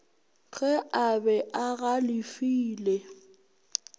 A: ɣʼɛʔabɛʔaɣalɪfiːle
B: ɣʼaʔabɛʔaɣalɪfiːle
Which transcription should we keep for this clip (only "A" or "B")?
A